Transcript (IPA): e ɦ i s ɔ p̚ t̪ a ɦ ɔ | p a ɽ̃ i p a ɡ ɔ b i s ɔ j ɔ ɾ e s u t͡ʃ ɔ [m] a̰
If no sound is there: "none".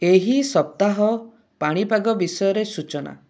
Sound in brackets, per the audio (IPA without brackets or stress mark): n